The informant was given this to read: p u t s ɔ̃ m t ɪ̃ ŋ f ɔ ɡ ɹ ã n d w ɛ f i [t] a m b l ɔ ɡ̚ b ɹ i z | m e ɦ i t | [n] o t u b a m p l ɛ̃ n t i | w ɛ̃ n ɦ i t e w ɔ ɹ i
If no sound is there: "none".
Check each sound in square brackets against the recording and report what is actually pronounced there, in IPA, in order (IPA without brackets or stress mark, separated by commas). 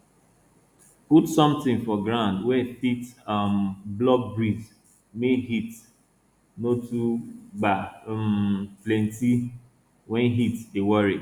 t, n